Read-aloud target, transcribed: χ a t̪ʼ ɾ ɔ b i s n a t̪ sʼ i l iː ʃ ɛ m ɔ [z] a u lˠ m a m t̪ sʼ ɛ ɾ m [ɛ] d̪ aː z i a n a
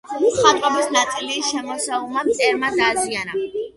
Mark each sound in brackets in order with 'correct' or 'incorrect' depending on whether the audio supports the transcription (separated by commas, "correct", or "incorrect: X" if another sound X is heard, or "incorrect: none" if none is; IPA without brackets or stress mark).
incorrect: s, incorrect: a